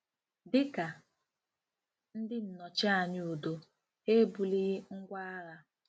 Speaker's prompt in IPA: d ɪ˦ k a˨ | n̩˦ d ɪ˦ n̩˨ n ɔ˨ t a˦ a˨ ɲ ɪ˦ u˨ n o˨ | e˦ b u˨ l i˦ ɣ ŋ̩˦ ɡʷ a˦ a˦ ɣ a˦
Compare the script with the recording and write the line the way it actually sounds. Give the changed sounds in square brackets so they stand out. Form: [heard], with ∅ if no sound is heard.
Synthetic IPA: d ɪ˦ k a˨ | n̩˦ d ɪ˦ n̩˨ n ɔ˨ [t͡ʃ] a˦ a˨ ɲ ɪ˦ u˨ [d] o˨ | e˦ b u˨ l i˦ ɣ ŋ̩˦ ɡʷ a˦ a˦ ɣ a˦